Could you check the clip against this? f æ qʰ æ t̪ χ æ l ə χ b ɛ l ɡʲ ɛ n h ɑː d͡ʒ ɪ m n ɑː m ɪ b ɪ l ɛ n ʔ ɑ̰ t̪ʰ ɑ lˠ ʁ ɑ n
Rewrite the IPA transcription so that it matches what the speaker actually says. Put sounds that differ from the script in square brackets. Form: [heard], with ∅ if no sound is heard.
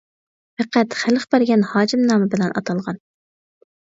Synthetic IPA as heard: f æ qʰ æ t̪ χ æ l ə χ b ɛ [ɾ] ɡʲ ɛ n h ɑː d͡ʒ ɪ m n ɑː m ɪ b ɪ l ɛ n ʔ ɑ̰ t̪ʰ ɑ lˠ ʁ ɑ n